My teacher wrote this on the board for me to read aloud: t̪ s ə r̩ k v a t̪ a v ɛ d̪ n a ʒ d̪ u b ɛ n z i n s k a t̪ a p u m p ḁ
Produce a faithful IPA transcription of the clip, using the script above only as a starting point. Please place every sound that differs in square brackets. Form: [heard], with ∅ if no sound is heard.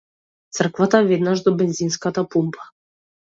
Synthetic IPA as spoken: t̪ s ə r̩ k v a t̪ a v ɛ d̪ n a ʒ d̪ [ɔ] b ɛ n z i n s k a t̪ a p u m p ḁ